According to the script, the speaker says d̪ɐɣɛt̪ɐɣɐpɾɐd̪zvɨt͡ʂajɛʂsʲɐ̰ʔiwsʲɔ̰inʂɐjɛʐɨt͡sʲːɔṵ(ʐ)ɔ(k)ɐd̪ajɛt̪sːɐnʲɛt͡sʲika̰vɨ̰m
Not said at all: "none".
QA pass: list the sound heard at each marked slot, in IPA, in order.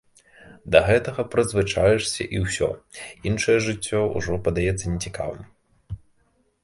ʐ, p

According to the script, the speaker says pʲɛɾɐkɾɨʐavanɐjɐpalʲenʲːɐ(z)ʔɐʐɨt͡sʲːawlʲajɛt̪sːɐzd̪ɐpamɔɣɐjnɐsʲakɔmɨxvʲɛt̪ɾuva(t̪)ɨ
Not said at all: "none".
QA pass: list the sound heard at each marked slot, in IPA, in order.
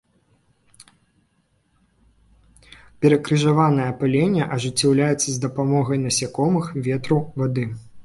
none, d̪

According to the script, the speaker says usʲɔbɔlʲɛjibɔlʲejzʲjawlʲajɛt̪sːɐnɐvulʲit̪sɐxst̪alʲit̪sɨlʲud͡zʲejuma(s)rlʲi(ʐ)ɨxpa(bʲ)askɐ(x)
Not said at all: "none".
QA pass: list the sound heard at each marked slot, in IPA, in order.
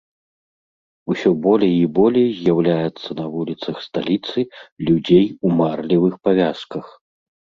none, v, vʲ, x

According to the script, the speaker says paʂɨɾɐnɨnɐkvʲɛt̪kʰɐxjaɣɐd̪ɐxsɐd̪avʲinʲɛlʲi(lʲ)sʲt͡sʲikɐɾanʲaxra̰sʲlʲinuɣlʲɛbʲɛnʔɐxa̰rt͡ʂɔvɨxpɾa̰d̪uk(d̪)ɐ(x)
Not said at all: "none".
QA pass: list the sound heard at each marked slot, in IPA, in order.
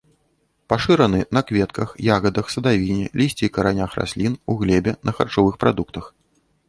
none, t̪, x

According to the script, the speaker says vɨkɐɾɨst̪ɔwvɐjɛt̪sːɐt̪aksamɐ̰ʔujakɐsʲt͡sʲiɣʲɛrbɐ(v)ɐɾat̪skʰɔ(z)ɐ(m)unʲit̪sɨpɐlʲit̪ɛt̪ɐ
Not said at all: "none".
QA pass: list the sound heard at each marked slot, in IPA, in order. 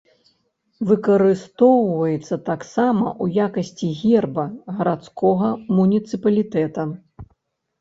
ɣ, ɣ, m

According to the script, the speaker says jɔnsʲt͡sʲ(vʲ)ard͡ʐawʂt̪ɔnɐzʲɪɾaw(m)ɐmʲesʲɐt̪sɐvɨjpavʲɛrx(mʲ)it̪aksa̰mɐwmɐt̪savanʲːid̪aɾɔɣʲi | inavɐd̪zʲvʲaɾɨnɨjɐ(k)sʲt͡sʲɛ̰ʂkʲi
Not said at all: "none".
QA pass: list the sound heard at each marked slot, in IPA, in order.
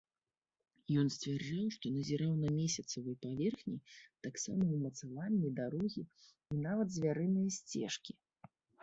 vʲ, n, nʲ, none

